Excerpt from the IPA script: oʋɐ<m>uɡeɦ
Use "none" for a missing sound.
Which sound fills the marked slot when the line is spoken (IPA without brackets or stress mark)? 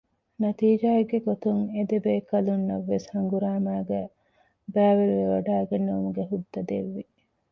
m